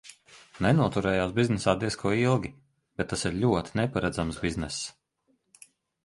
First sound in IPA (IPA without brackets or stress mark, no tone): n